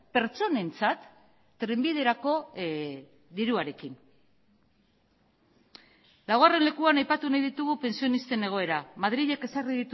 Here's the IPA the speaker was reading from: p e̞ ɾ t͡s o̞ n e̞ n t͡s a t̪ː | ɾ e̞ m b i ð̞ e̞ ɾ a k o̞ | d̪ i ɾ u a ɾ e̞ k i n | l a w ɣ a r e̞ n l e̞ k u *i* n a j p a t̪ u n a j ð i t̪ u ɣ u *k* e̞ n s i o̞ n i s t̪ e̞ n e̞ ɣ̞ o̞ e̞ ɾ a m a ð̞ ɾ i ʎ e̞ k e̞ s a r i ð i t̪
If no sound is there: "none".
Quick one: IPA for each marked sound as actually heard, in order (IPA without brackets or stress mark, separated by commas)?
a, p